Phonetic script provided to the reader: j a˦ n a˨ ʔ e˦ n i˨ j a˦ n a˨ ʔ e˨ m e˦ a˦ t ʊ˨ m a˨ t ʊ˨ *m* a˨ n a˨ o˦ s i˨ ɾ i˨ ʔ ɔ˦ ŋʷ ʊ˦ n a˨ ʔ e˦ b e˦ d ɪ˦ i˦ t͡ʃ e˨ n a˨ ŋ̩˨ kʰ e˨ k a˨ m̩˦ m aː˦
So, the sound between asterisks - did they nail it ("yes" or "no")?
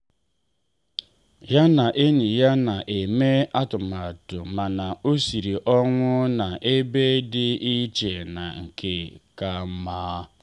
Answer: yes